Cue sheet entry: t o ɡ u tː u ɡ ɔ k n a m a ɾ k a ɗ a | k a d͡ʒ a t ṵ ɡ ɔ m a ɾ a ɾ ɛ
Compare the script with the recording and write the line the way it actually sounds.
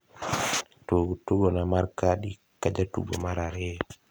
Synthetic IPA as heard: t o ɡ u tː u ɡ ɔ n a m a ɾ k a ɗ i | k a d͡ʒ a t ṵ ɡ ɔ m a ɾ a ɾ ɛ